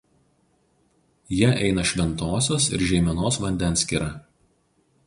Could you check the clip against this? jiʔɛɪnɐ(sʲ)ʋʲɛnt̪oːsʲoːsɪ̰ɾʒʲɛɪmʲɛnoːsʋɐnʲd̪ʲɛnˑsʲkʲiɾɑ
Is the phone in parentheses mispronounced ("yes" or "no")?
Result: yes